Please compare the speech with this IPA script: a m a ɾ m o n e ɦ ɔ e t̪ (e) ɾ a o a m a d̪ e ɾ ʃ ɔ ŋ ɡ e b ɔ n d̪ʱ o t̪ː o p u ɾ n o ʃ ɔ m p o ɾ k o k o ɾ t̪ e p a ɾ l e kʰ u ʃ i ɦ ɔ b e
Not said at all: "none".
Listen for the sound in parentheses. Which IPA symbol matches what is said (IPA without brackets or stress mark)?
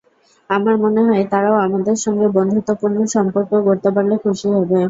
a